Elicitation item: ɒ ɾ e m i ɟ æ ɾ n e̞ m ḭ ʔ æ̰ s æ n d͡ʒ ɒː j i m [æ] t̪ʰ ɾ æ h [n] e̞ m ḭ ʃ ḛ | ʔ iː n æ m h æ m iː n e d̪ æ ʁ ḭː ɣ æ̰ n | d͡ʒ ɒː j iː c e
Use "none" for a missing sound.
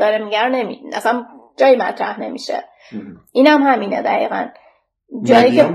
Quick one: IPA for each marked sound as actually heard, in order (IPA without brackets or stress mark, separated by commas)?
æ, n